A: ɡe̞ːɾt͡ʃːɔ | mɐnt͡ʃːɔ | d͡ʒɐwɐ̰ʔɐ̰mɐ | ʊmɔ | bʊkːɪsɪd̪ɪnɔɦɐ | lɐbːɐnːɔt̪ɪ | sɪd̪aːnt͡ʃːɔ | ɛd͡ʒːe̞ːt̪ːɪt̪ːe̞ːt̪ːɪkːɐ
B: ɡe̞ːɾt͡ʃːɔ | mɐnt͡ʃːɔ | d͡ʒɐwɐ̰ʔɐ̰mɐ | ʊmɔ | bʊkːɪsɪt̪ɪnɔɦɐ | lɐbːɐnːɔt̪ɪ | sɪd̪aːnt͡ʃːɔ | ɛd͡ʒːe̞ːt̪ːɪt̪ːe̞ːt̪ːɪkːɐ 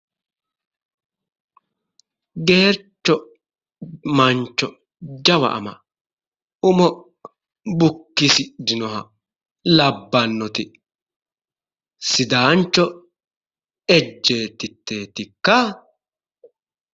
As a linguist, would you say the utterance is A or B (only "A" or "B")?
A